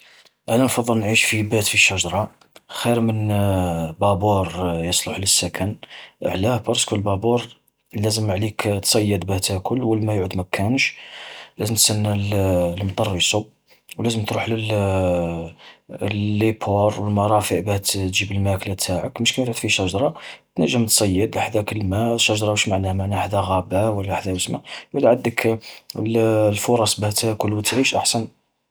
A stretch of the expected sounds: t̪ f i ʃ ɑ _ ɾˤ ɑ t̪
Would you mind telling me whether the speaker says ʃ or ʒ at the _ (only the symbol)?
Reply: ʒ